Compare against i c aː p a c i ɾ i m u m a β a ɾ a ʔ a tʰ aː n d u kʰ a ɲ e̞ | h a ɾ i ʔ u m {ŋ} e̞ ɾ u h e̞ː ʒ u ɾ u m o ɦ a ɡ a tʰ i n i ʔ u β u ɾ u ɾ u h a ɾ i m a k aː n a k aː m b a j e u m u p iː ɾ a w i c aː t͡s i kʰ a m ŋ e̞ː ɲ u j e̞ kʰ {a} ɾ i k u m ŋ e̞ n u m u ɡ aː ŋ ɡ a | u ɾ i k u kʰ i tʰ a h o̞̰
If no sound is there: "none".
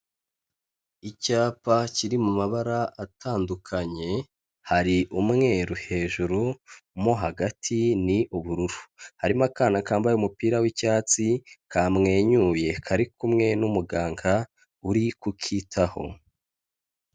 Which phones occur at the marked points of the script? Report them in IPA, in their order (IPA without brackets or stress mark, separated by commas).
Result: ŋ, a